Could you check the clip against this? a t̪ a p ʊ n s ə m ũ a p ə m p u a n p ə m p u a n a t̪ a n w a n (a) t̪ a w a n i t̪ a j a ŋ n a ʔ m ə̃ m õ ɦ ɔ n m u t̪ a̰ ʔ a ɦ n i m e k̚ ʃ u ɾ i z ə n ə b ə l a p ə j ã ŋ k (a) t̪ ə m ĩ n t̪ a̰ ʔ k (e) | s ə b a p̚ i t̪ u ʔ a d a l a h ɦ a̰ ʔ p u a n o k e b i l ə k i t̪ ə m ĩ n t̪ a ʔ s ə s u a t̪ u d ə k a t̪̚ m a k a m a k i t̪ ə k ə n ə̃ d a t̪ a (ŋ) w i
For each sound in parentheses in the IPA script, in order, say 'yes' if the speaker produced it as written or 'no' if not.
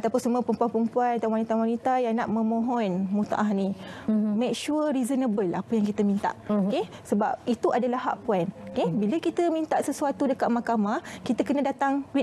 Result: no, no, yes, yes

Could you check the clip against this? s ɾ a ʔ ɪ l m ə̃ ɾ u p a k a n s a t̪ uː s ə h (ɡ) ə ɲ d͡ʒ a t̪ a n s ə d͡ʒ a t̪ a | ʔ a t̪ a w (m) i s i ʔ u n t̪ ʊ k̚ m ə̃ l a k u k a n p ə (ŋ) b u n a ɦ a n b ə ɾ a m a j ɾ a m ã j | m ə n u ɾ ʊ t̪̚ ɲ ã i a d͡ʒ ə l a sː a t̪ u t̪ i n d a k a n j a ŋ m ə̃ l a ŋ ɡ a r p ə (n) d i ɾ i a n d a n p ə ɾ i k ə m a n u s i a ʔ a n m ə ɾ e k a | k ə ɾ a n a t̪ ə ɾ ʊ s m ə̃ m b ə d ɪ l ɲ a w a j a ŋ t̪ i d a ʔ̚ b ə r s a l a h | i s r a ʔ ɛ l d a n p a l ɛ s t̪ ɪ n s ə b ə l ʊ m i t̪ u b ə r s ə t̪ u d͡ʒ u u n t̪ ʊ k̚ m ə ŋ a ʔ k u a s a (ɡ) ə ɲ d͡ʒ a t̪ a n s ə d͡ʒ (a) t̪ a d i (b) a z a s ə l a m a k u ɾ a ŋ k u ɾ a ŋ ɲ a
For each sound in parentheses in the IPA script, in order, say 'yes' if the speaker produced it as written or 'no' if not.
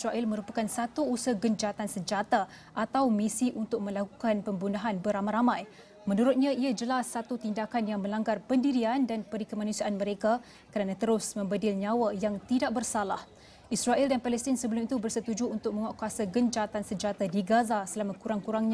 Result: yes, yes, no, yes, yes, yes, no

